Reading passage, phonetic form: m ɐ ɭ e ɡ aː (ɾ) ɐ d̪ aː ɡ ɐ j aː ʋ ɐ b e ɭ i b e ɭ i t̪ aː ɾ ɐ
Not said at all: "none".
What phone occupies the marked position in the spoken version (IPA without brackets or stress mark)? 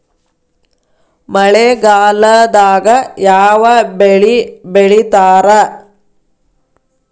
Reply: l